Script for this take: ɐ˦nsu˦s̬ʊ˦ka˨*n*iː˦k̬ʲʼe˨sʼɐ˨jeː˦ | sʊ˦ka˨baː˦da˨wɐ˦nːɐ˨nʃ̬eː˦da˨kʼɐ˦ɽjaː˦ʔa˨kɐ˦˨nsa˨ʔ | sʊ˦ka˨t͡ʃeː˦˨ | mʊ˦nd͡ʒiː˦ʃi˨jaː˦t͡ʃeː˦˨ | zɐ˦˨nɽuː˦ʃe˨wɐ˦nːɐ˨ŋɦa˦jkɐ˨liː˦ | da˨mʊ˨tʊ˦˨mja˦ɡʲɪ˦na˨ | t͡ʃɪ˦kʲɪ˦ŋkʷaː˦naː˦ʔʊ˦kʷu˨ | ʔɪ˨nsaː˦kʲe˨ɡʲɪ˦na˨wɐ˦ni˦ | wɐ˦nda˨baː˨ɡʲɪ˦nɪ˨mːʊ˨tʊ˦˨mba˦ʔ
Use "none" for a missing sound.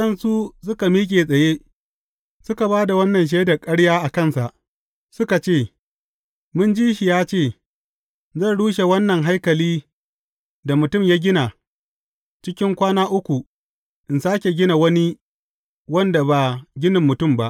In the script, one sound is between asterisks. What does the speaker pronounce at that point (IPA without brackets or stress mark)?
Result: m